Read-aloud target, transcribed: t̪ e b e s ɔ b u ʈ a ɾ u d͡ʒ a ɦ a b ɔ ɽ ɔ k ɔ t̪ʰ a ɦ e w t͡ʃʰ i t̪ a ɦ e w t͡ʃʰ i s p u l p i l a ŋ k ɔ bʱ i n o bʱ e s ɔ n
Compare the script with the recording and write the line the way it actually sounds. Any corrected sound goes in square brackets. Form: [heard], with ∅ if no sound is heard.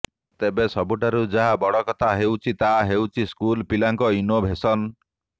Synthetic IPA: t̪ e b e s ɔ b u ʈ a ɾ u d͡ʒ a ɦ a b ɔ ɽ ɔ k ɔ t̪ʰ a ɦ e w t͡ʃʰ i t̪ a ɦ e w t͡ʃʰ i s [k] u l p i l a ŋ k ɔ [∅] i n o bʱ e s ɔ n

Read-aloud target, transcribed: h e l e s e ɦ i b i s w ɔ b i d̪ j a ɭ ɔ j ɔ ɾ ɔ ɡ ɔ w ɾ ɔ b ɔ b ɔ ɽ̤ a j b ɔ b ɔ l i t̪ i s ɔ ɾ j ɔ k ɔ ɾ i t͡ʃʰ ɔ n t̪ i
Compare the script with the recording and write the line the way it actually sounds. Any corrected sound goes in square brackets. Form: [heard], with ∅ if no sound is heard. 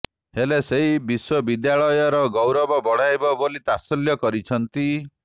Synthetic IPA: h e l e s e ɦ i b i s w ɔ b i d̪ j a ɭ ɔ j ɔ ɾ ɔ ɡ ɔ w ɾ ɔ b ɔ b ɔ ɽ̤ a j b ɔ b [o] l i t̪ [a] s ɔ [l] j ɔ k ɔ ɾ i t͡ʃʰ ɔ n t̪ i

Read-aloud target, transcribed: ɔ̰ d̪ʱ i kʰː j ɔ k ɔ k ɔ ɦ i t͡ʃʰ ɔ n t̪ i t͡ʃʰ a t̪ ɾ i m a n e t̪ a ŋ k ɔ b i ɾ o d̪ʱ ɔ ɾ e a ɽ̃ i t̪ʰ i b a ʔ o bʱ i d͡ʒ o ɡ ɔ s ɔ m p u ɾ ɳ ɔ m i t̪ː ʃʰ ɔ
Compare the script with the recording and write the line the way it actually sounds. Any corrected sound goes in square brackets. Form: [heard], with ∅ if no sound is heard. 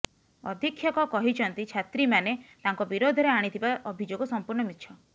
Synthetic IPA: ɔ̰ d̪ʱ i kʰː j ɔ k ɔ k ɔ ɦ i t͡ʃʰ ɔ n t̪ i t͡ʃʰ a t̪ ɾ i m a n e t̪ a ŋ k ɔ b i ɾ o d̪ʱ ɔ ɾ e a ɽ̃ i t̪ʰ i b a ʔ [ɔ] bʱ i d͡ʒ o ɡ ɔ s ɔ m p u ɾ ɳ ɔ m i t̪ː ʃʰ ɔ

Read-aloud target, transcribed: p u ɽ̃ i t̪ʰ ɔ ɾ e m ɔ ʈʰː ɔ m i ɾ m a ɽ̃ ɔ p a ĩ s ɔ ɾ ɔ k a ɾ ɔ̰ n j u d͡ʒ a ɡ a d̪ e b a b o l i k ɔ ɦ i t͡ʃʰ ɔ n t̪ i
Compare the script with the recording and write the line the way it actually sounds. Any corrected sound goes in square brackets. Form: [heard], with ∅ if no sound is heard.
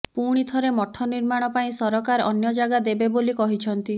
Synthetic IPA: p u ɽ̃ i t̪ʰ ɔ ɾ e m ɔ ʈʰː ɔ [n] i ɾ m a ɽ̃ ɔ p a ĩ s ɔ ɾ ɔ k a ɾ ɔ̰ n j [ɔ] d͡ʒ a ɡ a d̪ e b [e] b o l i k ɔ ɦ i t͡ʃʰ ɔ n t̪ i

